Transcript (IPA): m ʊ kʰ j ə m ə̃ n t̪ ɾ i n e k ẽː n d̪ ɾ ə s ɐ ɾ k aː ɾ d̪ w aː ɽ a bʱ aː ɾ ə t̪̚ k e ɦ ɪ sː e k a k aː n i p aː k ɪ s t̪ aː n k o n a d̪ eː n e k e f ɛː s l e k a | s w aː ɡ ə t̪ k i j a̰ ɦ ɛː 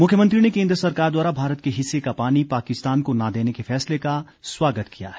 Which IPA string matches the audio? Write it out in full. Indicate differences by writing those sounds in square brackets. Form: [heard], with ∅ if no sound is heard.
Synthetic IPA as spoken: m ʊ kʰ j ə m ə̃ n t̪ ɾ i n e k ẽː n d̪ ɾ ə s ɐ ɾ k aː ɾ d̪ w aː [ɾ] a bʱ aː ɾ ə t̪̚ k e ɦ ɪ sː e k a [p] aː n i p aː k ɪ s t̪ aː n k o n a d̪ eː n e k e f ɛː s l e k a | s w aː ɡ ə t̪ k i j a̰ ɦ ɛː